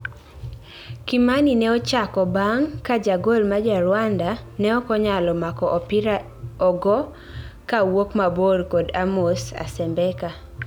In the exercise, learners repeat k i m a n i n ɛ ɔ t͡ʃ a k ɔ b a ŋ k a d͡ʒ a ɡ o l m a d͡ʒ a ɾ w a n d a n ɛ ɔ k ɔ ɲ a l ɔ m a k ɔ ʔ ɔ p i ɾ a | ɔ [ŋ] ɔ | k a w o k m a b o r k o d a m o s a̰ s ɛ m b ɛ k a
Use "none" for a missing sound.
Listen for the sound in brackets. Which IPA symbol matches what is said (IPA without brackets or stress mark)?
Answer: ɡ